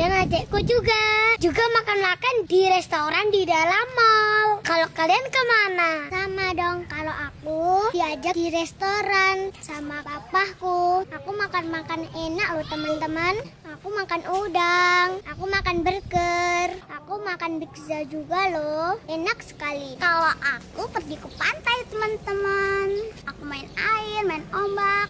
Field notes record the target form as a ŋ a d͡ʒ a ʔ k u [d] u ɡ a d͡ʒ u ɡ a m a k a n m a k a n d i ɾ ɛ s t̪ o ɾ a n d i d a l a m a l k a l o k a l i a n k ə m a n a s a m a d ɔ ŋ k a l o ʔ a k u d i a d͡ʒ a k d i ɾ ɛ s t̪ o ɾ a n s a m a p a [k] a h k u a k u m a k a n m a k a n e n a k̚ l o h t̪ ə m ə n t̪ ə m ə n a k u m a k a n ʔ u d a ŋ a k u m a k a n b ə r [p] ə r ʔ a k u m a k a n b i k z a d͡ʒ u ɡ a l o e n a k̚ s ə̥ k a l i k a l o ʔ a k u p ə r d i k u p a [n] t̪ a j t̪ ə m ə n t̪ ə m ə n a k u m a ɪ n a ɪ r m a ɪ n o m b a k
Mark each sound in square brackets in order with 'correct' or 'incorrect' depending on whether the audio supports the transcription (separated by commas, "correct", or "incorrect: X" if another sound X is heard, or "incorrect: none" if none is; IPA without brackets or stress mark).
incorrect: d͡ʒ, incorrect: p, incorrect: k, correct